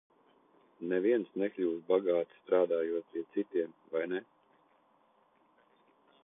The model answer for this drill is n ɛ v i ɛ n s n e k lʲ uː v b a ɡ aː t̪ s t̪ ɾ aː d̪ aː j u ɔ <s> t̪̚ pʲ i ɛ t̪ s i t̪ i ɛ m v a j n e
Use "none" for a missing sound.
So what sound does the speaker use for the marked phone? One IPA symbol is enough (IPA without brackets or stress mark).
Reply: none